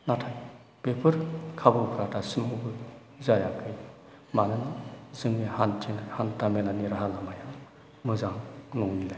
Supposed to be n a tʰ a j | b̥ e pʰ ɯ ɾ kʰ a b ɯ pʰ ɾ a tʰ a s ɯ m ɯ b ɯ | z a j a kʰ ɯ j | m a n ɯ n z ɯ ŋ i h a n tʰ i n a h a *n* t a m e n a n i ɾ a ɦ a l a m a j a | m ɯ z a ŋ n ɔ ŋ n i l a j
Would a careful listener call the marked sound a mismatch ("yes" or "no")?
no